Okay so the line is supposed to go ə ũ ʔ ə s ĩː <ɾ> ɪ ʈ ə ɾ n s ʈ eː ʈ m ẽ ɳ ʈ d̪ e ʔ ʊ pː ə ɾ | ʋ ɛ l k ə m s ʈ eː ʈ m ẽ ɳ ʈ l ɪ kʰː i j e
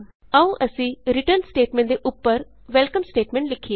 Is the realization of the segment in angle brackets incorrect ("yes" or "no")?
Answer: no